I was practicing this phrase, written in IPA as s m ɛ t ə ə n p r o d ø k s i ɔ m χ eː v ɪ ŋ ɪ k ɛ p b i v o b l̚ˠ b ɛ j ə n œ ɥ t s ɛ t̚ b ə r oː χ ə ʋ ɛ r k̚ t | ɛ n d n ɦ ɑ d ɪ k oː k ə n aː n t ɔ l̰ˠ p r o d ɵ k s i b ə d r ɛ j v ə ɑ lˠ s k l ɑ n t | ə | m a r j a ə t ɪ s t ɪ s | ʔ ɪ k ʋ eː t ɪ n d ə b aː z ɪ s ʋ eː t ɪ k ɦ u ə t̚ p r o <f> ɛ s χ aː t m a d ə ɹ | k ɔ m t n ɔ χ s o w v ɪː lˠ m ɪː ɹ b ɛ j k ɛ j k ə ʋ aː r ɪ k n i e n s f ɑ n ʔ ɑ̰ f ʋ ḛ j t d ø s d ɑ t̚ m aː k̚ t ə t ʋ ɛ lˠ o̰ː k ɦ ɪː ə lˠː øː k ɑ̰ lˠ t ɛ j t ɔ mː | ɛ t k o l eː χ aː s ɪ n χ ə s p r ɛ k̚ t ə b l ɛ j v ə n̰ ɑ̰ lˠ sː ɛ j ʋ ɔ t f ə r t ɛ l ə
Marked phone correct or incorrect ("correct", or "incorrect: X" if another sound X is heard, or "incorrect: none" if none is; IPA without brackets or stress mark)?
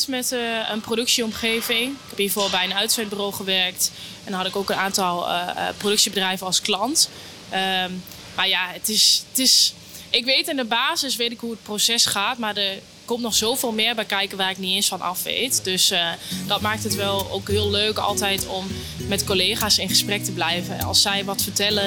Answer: incorrect: s